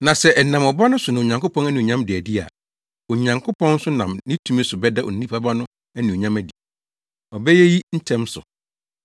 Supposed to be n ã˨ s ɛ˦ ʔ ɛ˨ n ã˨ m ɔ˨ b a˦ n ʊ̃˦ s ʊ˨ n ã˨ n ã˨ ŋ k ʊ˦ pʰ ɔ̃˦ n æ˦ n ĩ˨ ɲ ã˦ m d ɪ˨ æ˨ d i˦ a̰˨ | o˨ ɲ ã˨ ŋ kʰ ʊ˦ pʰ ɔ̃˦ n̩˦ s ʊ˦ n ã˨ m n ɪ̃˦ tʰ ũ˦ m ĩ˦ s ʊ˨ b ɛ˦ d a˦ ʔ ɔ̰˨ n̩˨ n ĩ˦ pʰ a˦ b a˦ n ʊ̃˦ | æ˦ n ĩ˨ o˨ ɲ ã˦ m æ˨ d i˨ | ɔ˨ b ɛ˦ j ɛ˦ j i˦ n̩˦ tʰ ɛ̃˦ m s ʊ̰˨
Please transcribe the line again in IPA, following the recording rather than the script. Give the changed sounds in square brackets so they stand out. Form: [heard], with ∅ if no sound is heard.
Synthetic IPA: n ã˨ s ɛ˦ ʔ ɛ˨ n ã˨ m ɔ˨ b a˦ n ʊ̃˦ s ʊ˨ n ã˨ [ɲ] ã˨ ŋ k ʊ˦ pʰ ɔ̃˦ n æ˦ n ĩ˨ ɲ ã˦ m d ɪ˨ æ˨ d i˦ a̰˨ | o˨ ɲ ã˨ ŋ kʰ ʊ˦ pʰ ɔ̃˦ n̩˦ s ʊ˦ n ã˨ m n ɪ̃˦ tʰ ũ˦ m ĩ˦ s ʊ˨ b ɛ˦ d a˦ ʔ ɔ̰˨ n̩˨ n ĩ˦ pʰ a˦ b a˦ n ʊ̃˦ | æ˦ n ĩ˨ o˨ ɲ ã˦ m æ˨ d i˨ | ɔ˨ b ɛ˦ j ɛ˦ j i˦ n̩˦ tʰ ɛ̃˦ m s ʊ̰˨